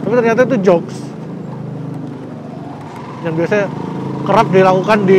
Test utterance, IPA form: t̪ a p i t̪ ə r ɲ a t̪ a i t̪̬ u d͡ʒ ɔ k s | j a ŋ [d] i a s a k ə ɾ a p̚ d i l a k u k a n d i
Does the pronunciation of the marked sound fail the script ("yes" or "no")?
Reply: yes